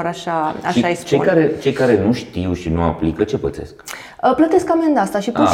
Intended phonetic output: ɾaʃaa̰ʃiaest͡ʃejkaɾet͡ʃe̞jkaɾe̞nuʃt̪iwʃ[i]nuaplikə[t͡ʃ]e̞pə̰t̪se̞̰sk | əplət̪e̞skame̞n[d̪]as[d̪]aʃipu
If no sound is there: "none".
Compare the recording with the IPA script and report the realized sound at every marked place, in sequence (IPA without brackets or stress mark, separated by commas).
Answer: i, t͡ʃ, d̪, t̪